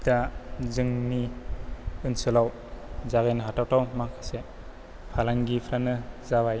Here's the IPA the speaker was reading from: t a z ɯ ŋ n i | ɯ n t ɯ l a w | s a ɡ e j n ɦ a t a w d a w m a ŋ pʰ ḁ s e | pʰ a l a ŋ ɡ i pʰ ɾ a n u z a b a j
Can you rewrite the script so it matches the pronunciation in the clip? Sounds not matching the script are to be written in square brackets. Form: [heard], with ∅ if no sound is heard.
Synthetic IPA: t a z ɯ ŋ n i | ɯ n [s] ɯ l a w | [z] a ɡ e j n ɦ a t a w [t] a w m a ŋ [kʰ] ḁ s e | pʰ a l a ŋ ɡ i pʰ ɾ a n [ɯ] z a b a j

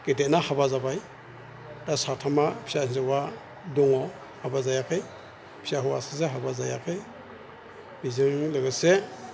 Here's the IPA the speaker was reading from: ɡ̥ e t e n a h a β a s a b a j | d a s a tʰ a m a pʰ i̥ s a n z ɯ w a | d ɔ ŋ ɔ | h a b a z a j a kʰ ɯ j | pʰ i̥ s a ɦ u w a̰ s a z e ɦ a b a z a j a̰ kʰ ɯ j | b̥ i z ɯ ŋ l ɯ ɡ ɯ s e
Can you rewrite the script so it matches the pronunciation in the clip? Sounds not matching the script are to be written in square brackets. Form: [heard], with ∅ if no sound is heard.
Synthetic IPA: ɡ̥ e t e n a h a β a [z] a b a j | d a s a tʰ a m a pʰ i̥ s a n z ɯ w a | d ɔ ŋ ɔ | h a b a z a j a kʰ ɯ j | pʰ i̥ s a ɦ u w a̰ s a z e ɦ a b a z a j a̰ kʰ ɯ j | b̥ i z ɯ ŋ l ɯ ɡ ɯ s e

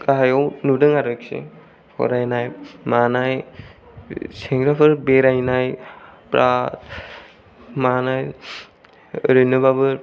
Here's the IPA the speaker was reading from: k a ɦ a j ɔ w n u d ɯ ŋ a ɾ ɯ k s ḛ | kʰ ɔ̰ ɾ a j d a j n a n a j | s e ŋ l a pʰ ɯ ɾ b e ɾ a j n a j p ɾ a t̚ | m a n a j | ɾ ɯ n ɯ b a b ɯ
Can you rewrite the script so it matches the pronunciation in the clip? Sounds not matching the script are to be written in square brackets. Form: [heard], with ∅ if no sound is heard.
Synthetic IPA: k a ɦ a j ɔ w n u d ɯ ŋ a ɾ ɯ k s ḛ | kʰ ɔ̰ ɾ a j [n] a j [m] a n a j | s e ŋ [ɾ] a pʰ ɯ ɾ b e ɾ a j n a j p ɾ a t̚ | m a n a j | ɾ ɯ n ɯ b a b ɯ

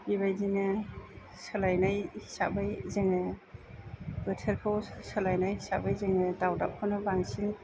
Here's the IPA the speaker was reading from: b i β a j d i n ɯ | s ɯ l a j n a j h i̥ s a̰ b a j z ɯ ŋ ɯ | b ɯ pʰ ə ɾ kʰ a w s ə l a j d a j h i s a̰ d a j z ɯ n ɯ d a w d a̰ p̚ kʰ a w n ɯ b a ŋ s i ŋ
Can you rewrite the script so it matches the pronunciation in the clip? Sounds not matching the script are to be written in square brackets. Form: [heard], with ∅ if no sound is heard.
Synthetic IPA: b i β a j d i n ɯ | s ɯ l a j n a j h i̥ s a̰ b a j z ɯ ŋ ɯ | b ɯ [tʰ] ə ɾ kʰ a w s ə l a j [n] a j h i s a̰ [b] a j z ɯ [ŋ] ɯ d a w d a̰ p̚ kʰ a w n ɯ b a ŋ s i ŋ

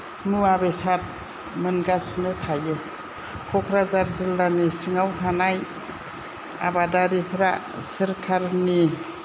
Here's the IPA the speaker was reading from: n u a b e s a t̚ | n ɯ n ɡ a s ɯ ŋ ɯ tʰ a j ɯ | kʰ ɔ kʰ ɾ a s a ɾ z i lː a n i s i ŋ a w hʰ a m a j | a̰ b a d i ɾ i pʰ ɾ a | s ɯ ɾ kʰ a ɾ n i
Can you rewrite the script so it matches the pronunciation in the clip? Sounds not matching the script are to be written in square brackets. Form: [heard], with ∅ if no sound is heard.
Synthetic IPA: n u a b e s a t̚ | [m] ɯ n ɡ a s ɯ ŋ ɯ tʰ a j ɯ | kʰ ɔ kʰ ɾ a [z] a ɾ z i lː a n i s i ŋ a w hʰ a [n] a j | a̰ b a d [a] ɾ i pʰ ɾ a | s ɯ ɾ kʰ a ɾ n i

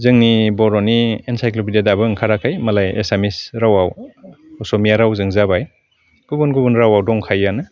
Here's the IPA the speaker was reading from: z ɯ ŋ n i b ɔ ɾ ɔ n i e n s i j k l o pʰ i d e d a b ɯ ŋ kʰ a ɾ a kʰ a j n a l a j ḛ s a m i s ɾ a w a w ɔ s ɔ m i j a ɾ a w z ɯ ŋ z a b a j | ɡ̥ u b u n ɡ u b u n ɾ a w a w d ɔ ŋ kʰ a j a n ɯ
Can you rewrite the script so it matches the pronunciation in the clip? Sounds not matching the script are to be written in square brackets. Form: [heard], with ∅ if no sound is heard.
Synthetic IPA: z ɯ ŋ n i b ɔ ɾ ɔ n i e n s [a] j k l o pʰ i d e d a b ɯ ŋ kʰ a ɾ a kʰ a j [m] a l a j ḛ s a m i s ɾ a w a w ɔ s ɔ m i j a ɾ a w z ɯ ŋ z a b a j | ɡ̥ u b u n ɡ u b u n ɾ a w a w d ɔ ŋ kʰ a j a n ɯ

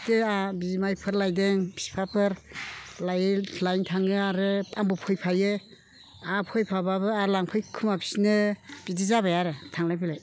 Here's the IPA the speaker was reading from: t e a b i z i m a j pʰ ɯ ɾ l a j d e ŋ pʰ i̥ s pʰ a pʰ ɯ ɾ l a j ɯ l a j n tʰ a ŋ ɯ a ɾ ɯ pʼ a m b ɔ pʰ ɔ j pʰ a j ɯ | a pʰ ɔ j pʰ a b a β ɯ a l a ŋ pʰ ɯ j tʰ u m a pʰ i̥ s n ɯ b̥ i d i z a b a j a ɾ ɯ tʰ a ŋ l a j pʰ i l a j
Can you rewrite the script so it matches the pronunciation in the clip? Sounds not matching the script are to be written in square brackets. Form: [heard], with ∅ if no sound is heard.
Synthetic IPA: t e a b i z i m a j pʰ ɯ ɾ l a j d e ŋ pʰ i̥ s pʰ a pʰ ɯ ɾ l a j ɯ l a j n tʰ a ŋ ɯ a ɾ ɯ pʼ a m b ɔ pʰ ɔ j pʰ a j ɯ | a pʰ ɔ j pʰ a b a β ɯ a l a ŋ pʰ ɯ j [kʰ] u m a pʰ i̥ s n ɯ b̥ i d i z a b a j a ɾ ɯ tʰ a ŋ l a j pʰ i l a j

